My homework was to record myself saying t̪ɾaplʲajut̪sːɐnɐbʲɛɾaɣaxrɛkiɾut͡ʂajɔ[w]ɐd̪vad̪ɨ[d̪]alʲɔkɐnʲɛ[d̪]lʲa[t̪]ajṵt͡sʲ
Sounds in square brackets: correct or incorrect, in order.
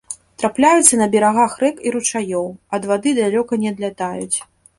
correct, correct, correct, correct

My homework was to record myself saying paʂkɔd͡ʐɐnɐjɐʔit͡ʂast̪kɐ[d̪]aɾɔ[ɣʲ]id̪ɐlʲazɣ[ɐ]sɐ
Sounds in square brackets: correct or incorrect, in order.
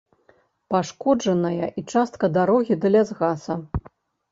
correct, correct, incorrect

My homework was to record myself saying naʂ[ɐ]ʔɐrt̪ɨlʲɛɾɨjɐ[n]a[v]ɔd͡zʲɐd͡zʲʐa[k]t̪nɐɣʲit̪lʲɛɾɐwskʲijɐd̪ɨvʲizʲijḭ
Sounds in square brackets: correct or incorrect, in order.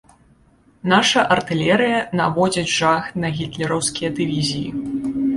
correct, correct, correct, incorrect

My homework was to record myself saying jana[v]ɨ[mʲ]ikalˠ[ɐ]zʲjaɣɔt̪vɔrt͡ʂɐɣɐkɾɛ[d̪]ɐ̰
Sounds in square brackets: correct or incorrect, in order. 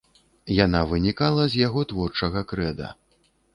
correct, incorrect, correct, correct

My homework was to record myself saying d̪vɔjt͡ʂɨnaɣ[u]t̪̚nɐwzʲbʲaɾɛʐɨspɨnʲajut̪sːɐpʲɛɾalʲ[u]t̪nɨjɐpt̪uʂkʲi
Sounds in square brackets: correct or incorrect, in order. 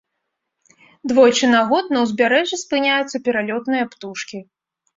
incorrect, incorrect

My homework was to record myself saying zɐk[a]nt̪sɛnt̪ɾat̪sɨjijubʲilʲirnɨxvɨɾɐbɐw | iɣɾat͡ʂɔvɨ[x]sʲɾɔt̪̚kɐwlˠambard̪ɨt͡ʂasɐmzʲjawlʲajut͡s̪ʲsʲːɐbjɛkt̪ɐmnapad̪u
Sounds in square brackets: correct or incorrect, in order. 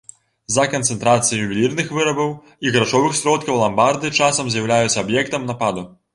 incorrect, correct

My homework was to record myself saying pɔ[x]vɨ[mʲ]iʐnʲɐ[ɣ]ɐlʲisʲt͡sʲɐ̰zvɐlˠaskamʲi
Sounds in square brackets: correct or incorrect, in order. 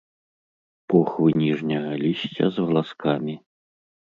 correct, incorrect, correct

